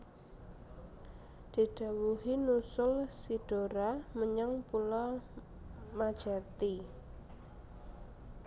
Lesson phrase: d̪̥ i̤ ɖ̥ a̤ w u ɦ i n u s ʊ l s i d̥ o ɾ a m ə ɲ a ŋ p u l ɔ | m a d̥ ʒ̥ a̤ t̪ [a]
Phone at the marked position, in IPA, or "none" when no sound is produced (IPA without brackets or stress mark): i